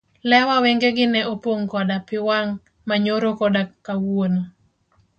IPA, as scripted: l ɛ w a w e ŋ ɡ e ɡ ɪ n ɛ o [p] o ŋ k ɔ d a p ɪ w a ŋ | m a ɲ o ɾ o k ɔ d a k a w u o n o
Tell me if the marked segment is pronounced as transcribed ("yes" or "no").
yes